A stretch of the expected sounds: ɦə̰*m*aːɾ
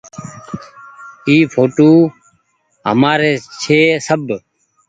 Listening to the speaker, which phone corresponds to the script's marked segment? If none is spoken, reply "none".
m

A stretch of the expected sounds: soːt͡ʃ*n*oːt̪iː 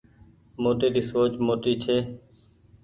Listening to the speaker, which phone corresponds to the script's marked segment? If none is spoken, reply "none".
m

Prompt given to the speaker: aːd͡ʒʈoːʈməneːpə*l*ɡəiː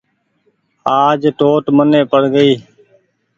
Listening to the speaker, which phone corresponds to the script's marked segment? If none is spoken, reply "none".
ɽ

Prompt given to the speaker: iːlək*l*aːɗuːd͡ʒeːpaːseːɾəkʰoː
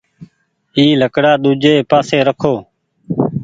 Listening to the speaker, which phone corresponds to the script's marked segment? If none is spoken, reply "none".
ɽ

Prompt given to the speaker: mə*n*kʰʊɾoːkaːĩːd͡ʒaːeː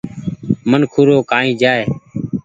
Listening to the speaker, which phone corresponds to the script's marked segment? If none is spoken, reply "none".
n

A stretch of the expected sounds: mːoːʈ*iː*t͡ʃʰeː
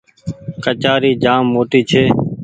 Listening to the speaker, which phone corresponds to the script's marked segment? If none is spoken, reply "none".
iː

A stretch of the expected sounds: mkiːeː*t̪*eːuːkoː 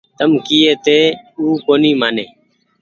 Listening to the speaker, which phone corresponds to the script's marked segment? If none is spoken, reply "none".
t̪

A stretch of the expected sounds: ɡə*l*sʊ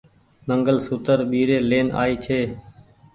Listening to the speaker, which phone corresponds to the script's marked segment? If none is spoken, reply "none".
l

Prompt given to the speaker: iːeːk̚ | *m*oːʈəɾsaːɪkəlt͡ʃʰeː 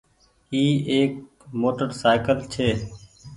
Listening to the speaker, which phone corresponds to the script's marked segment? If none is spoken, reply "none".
m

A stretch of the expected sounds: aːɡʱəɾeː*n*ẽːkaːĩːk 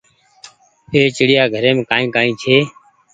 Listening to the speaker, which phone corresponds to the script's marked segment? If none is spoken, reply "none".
m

